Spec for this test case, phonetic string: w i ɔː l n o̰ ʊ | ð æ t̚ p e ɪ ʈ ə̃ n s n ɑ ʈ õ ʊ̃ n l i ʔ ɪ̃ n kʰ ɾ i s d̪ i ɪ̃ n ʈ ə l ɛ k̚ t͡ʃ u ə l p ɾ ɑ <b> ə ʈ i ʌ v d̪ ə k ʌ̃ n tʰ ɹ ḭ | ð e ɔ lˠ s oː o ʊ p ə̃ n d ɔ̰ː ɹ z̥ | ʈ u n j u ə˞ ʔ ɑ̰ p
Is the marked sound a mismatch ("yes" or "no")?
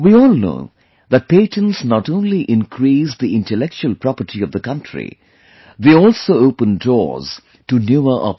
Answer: yes